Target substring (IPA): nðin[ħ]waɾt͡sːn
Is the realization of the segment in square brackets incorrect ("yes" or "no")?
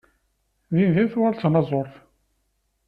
yes